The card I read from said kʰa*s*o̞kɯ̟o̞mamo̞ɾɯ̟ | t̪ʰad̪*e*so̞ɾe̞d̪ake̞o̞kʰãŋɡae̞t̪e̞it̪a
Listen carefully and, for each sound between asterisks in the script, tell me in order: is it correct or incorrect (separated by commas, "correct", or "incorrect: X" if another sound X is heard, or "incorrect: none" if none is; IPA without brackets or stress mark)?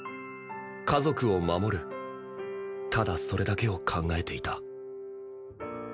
incorrect: z, incorrect: a